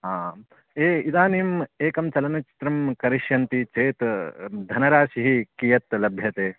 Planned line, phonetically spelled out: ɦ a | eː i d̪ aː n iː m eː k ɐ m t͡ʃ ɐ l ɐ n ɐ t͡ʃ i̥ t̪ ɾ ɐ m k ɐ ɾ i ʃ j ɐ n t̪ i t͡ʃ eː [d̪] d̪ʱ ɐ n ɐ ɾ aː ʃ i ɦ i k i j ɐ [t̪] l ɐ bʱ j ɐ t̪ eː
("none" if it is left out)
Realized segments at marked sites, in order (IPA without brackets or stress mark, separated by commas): t̪, t̪